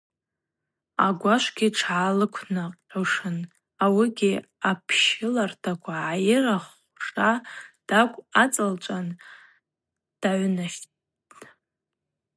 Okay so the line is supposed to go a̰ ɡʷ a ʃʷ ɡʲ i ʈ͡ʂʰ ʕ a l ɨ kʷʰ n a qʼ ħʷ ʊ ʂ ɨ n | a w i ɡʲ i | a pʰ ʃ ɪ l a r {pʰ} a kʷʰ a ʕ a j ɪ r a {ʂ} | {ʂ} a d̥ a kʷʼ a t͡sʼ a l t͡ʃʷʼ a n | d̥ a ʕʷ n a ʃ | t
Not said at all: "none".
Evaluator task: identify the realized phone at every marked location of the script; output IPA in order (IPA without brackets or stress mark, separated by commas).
tʰ, χ, ʂ